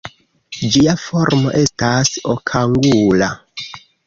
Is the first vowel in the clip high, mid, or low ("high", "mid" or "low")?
high